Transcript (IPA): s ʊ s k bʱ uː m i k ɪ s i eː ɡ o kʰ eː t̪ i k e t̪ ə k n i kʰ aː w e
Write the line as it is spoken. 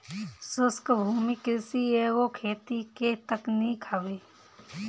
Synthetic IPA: s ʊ s k bʱ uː m i k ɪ s i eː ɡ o kʰ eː t̪ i k e t̪ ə k n i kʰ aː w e

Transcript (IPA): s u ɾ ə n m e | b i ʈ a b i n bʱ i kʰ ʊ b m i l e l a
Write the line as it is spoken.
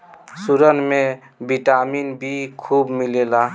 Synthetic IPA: s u ɾ ə n m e | b i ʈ a m i n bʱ i kʰ u b m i l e l a

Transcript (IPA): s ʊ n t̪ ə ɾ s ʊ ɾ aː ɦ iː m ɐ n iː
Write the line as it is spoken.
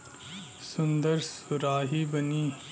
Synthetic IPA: s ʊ n d̪ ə ɾ s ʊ ɾ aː ɦ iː b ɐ n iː

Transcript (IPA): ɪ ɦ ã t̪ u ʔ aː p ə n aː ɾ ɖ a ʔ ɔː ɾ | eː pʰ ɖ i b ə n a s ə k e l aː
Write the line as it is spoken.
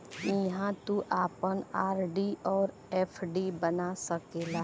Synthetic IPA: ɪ ɦ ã t̪ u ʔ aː p ə n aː ɾ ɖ i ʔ ɔː ɾ | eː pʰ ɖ i b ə n a s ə k e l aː

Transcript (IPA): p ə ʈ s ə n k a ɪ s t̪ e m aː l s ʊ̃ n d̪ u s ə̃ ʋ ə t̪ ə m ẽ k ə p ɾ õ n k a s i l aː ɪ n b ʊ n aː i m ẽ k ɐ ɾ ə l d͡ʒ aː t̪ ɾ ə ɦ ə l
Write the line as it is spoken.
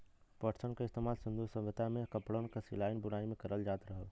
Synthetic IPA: p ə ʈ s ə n k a ɪ s t̪ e m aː l s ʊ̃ n d̪ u s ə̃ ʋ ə t̪ a m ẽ k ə p ɽ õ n k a s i l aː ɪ n b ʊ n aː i m ẽ k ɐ ɾ ə l d͡ʒ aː t̪ ɾ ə ɦ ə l

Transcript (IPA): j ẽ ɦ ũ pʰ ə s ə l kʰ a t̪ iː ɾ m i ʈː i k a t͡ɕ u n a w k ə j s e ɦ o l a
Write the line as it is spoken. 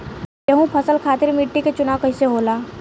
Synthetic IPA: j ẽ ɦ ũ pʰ ə s ə l kʰ a t̪ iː ɾ m i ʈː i k e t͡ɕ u n a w k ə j s e ɦ o l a

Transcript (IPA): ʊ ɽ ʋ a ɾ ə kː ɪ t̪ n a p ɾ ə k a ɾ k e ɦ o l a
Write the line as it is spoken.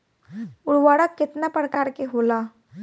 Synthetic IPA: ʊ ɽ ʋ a ɽ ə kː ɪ t̪ n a p ɾ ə k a ɾ k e ɦ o l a

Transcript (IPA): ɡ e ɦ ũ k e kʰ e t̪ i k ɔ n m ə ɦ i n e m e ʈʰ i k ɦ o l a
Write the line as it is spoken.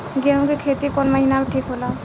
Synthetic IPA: ɡ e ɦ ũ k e kʰ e t̪ i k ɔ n m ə ɦ i n a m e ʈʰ i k ɦ o l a

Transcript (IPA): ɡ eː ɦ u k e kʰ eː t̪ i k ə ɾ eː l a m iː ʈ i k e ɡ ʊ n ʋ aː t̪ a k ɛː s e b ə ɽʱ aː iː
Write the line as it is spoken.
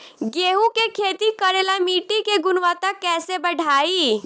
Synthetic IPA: ɡ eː ɦ u k e kʰ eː t̪ i k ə ɾ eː l a m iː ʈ i k e ɡ ʊ n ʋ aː t̪ a k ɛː s e b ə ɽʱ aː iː

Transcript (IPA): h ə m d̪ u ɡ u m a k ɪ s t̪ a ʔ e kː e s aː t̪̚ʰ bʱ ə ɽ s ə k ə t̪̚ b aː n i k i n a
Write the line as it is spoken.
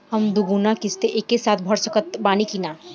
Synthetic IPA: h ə m d̪ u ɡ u n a k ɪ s t̪ e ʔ e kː e s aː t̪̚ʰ bʱ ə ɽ s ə k ə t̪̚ b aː n i k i n a

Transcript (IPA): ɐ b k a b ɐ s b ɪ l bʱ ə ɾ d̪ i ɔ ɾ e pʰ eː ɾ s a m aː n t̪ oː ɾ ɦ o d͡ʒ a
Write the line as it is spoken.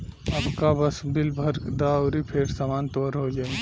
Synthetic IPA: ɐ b k a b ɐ s b ɪ l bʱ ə ɾ d̪ a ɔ ɾ i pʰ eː ɾ s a m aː n t̪ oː ɾ ɦ o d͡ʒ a

